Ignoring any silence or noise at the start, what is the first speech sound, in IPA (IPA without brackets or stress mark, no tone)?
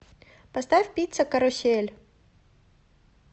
p